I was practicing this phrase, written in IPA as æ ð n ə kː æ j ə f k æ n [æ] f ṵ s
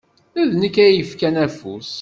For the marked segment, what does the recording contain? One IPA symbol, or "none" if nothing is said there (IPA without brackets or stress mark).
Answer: æ